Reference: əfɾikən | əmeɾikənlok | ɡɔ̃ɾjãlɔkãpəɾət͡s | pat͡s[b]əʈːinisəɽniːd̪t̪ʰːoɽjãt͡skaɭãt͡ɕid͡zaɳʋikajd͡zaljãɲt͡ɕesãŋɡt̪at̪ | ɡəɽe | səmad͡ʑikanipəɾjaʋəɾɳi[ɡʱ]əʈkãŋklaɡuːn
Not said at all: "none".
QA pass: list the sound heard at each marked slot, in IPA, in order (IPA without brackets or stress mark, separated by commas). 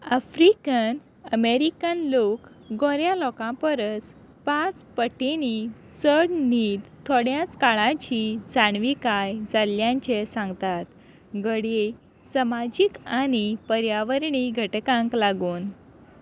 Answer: p, ɡʱ